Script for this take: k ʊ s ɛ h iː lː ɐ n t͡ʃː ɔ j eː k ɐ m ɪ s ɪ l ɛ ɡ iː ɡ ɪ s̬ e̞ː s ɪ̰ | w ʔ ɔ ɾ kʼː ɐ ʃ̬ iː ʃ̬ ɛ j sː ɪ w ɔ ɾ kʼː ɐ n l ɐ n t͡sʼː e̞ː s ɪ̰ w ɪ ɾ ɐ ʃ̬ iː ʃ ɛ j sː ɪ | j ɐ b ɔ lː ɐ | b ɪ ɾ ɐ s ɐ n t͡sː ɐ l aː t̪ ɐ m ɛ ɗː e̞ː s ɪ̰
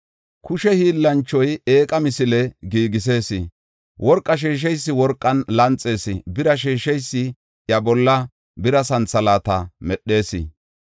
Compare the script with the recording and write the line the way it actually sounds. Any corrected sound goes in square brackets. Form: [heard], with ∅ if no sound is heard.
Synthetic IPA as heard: k ʊ [ʃ] ɛ h iː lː ɐ n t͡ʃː ɔ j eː [kʼ] ɐ m ɪ s ɪ l ɛ ɡ iː ɡ ɪ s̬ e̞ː s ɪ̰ | w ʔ ɔ ɾ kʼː ɐ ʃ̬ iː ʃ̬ ɛ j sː ɪ w ɔ ɾ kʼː ɐ n l ɐ n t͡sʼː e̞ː s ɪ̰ [b] ɪ ɾ ɐ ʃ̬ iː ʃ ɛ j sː ɪ | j ɐ b ɔ lː ɐ | b ɪ ɾ ɐ s ɐ n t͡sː ɐ l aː t̪ ɐ m ɛ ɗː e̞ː s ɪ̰